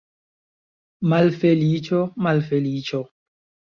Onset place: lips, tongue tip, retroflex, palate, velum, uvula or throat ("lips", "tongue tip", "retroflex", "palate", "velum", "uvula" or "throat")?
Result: lips